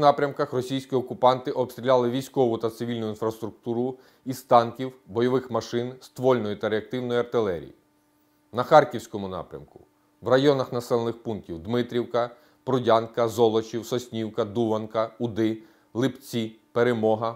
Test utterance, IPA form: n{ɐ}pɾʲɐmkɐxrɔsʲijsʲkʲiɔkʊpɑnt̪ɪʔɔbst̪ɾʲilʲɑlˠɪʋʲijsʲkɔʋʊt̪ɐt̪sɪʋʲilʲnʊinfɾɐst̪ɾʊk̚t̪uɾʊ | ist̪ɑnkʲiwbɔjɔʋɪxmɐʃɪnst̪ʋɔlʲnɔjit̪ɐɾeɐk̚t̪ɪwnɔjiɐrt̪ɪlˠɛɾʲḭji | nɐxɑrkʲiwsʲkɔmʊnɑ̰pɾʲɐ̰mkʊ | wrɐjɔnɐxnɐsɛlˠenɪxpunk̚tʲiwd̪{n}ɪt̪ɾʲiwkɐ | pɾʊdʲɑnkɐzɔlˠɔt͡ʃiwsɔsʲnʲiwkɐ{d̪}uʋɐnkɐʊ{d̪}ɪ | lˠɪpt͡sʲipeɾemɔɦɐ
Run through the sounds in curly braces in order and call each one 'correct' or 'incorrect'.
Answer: incorrect, incorrect, correct, correct

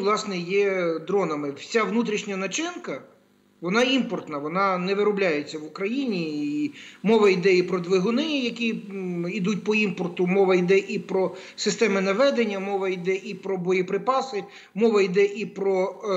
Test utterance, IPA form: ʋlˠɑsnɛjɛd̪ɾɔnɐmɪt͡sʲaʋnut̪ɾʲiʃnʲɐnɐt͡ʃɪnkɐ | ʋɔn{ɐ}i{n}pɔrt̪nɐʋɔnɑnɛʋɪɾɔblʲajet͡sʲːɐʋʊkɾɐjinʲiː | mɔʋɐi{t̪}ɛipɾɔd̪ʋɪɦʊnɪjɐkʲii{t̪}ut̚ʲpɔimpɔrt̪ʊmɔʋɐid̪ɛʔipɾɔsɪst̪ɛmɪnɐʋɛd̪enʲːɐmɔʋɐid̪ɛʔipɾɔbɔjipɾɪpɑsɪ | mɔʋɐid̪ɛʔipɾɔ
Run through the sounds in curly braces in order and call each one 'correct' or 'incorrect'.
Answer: incorrect, incorrect, incorrect, incorrect

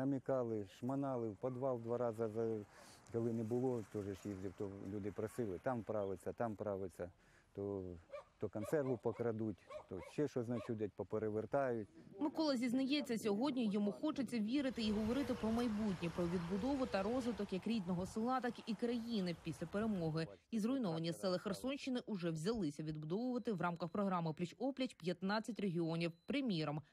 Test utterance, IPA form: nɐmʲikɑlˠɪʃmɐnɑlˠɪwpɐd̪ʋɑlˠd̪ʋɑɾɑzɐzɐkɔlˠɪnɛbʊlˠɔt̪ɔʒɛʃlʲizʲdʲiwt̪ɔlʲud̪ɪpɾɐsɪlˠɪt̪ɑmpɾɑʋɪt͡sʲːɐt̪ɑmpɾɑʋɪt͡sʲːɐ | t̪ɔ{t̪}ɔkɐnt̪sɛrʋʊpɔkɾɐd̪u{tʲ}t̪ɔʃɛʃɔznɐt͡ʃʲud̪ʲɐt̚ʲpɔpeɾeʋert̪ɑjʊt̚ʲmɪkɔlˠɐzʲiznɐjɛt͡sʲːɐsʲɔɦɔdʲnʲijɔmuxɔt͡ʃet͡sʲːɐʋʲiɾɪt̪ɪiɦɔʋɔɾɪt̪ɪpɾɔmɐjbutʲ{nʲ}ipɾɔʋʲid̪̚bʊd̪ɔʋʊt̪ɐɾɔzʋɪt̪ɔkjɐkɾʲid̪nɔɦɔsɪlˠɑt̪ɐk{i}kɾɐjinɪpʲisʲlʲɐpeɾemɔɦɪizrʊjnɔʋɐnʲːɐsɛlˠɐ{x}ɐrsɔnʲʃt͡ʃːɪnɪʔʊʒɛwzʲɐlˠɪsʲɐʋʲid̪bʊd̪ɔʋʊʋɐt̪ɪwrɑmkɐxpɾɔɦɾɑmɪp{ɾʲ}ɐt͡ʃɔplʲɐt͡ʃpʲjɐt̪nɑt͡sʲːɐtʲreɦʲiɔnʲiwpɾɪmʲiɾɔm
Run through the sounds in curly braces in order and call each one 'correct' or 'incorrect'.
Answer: correct, correct, correct, correct, correct, incorrect

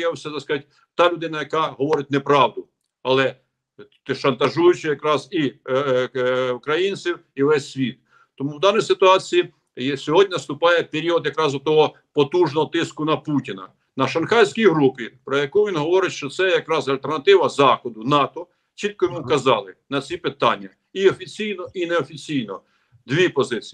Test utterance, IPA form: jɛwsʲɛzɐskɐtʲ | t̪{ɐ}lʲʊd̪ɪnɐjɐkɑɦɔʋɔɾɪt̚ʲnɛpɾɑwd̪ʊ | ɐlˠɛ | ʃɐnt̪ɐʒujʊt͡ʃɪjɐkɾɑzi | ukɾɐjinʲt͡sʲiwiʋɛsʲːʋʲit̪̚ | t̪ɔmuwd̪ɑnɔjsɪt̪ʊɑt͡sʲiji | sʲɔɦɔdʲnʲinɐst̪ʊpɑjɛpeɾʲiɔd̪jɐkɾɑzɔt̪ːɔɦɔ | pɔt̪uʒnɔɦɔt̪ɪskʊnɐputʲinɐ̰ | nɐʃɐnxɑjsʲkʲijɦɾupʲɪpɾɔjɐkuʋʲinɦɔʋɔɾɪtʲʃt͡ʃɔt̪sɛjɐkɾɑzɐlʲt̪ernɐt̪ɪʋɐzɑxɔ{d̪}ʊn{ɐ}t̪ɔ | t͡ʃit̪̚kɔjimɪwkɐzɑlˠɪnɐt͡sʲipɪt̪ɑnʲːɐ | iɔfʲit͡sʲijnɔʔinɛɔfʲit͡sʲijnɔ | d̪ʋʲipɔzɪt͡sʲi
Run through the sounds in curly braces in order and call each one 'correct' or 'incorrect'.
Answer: incorrect, correct, incorrect

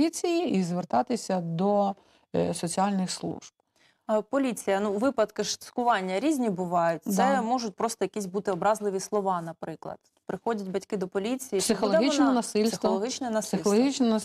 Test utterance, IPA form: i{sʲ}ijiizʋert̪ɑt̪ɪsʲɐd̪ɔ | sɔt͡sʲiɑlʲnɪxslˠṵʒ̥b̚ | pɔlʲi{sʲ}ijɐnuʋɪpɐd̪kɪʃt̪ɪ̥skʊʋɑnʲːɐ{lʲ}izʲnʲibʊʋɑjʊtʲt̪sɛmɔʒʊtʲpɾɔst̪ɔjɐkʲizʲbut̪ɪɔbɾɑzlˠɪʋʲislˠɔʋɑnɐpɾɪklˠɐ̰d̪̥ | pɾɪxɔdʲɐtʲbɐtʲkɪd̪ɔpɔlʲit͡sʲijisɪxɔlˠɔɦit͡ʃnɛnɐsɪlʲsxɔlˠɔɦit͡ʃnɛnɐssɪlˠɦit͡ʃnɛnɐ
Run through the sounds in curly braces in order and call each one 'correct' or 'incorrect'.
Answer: incorrect, incorrect, incorrect

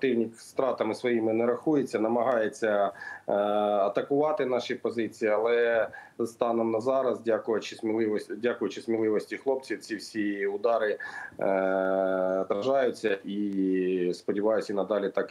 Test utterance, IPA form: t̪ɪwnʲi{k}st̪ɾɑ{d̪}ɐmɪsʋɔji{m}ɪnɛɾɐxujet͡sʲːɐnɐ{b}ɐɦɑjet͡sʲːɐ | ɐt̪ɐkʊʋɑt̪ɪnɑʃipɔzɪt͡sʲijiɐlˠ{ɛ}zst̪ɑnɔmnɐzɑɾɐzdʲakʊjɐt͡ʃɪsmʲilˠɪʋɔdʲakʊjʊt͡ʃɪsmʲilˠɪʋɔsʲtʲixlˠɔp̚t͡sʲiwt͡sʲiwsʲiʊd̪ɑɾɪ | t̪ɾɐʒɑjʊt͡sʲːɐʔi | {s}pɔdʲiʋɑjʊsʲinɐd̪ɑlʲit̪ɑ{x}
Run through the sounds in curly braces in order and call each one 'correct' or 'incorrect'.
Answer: correct, incorrect, correct, incorrect, correct, correct, incorrect

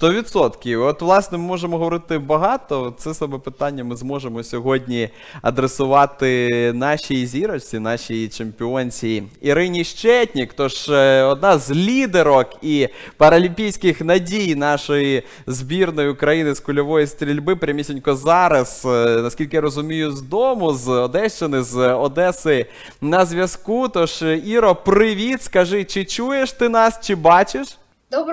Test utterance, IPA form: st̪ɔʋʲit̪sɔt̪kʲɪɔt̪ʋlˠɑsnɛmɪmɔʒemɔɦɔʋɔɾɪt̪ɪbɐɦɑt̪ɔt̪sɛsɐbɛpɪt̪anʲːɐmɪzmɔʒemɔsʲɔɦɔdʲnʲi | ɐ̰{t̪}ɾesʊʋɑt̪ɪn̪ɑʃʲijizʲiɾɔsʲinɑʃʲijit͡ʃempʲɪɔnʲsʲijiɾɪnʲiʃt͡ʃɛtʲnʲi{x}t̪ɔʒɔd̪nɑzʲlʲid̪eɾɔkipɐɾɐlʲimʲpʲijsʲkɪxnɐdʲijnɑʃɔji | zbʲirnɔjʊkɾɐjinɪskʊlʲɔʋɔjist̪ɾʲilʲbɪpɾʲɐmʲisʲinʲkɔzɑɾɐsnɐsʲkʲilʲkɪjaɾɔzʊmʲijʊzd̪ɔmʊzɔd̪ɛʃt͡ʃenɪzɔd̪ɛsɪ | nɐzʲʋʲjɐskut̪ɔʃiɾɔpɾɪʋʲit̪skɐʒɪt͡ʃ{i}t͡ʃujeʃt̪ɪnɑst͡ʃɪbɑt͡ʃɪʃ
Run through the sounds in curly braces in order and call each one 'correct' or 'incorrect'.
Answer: incorrect, incorrect, incorrect

